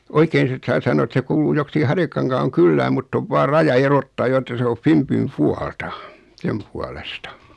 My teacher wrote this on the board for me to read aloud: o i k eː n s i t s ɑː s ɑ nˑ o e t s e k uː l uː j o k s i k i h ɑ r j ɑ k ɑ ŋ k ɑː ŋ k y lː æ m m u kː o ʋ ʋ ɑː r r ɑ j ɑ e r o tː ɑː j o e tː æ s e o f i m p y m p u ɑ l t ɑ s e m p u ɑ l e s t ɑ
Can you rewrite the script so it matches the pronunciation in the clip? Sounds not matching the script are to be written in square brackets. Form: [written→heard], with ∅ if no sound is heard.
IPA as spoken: o i k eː n s i t s ɑː s ɑ nˑ o e t s e k uː l uː j o k s i k i h ɑ r j ɑ k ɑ ŋ k ɑː ŋ k y lː [æ→æː] m m u [kː→tː] o ʋ ʋ ɑː r r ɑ j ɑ e r o tː ɑː j o e tː æ s e o f i m p y m p u ɑ l t ɑ s e m p u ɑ l e s t ɑ